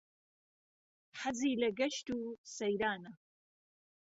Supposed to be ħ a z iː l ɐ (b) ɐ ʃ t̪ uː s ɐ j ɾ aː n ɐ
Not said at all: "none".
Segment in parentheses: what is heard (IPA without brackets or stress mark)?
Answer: ɡ